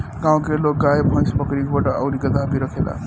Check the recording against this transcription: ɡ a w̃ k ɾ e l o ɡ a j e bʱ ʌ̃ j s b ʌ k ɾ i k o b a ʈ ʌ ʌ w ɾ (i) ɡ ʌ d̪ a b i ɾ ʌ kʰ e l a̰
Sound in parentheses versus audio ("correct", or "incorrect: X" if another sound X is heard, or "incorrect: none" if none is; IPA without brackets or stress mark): correct